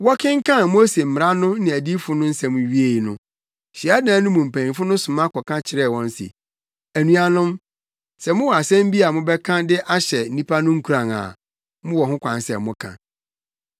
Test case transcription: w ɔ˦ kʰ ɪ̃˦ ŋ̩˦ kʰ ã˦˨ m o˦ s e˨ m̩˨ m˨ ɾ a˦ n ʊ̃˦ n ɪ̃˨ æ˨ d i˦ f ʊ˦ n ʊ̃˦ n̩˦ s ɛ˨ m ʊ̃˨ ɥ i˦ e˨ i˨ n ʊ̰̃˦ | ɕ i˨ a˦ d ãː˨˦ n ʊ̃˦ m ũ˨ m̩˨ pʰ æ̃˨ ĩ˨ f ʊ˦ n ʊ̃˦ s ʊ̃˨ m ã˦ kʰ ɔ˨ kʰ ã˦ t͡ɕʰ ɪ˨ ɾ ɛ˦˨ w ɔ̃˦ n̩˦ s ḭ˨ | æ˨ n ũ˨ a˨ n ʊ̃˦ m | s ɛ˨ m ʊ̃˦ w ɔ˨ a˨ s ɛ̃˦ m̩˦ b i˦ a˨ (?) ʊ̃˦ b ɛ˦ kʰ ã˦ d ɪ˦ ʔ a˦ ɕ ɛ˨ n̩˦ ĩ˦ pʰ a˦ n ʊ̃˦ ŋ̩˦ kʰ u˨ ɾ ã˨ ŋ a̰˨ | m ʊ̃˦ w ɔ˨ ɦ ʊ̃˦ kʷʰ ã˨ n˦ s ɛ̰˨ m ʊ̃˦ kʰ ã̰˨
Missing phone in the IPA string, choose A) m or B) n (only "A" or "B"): A